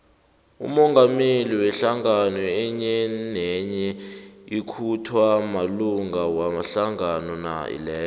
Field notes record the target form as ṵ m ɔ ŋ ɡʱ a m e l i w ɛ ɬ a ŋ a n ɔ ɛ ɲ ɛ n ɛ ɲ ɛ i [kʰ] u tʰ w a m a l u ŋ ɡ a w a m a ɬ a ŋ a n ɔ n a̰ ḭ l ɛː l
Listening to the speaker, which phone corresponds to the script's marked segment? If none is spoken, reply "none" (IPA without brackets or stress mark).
kʰ